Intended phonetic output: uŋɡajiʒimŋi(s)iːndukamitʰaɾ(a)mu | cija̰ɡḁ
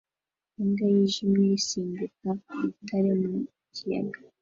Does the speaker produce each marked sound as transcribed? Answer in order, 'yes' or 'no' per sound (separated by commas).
yes, no